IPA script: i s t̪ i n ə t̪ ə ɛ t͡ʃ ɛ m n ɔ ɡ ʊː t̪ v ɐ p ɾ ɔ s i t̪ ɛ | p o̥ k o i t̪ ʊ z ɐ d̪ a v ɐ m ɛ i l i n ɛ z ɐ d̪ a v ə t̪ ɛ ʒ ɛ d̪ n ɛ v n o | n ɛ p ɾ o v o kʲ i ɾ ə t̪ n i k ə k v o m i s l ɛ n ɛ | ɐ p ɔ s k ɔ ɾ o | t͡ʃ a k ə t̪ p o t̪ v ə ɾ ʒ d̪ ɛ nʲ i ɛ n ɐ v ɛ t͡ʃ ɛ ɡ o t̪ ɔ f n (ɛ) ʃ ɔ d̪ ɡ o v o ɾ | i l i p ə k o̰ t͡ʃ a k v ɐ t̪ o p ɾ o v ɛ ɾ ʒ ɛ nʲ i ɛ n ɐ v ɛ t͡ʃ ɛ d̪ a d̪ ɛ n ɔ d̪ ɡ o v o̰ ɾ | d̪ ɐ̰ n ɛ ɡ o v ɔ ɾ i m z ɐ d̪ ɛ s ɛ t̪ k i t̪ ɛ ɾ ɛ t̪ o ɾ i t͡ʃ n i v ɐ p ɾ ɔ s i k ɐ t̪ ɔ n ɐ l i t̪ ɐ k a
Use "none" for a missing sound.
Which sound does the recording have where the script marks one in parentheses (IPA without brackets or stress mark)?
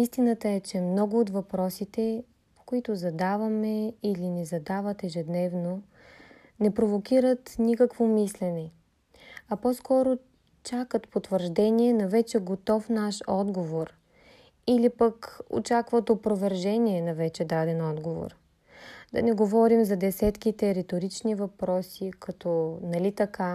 a